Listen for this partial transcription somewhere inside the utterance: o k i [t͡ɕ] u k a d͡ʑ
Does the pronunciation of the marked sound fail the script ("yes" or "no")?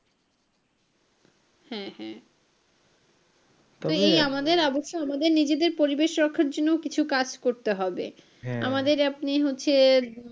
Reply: yes